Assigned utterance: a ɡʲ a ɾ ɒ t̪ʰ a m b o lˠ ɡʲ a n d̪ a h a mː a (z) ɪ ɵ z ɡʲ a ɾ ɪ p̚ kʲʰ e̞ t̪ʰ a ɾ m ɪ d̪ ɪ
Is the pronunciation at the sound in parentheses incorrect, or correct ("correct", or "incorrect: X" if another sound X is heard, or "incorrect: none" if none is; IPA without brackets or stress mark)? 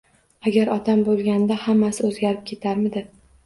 incorrect: s